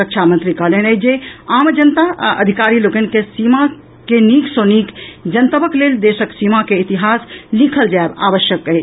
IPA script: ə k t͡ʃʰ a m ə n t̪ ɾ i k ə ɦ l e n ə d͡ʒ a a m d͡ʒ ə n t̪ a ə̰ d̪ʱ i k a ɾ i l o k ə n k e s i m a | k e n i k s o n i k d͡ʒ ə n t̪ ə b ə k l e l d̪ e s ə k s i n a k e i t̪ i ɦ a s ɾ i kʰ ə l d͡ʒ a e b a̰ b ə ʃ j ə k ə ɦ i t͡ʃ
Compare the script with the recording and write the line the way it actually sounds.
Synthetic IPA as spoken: ə k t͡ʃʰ a m ə n t̪ ɾ i k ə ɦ l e n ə d͡ʒ e a m d͡ʒ ə n t̪ a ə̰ d̪ʱ i k a ɾ i l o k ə n k e s i m a | k e n i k s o n i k d͡ʒ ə n t̪ ə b ə k l e l d̪ e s ə k s i m a k e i t̪ i ɦ a s l i kʰ ə l d͡ʒ a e b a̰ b ə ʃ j ə k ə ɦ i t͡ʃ